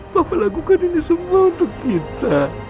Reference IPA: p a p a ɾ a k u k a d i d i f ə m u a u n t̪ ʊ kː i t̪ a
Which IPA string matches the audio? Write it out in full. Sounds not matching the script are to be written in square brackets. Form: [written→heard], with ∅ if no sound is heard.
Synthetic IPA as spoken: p a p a [ɾ→l] a [k→ɡ] u k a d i [d→n] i [f→s] ə m u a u n t̪ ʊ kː i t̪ a